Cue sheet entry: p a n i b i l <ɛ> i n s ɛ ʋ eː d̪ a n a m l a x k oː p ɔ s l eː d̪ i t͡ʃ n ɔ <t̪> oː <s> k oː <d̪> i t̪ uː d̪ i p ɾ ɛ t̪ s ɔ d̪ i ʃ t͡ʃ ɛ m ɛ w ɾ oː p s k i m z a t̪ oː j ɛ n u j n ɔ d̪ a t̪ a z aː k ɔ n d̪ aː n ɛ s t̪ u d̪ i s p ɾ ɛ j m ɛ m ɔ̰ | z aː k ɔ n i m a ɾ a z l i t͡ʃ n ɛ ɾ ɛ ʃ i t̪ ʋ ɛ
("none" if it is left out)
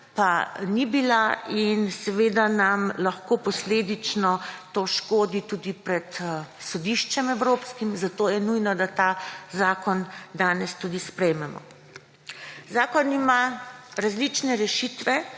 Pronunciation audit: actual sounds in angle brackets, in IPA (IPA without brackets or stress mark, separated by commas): a, t̪, ʃ, d̪